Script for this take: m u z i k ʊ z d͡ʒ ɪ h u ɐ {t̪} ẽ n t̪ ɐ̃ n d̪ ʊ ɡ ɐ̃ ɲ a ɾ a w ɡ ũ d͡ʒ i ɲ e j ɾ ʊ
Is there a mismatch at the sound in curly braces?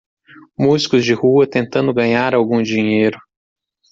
no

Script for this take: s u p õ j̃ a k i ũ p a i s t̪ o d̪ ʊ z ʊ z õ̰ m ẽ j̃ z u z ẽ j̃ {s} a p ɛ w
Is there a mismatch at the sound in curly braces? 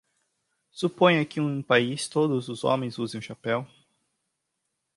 yes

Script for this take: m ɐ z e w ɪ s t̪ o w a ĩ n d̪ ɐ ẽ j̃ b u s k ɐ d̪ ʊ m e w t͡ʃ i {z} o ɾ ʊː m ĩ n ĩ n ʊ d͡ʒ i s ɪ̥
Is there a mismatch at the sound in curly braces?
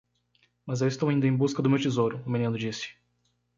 no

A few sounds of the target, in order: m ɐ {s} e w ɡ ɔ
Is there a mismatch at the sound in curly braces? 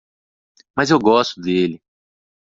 yes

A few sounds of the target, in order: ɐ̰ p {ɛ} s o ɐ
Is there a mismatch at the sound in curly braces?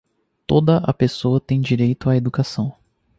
yes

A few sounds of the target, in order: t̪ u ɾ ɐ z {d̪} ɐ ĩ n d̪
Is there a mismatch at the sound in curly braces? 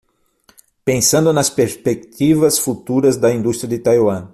no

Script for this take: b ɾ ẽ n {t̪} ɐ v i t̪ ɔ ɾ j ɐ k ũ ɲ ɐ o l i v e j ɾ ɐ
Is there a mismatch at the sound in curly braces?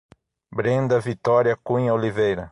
yes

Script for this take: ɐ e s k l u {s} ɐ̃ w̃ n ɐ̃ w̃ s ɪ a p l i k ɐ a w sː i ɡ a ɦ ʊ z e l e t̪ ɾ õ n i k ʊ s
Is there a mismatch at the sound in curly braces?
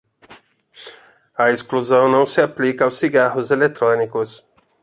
yes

